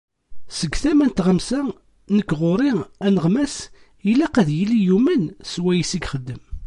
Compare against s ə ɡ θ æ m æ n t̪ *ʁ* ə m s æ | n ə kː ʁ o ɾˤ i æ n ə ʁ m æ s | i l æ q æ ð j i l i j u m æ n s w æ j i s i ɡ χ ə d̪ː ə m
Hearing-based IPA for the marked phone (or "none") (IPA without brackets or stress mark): ʁ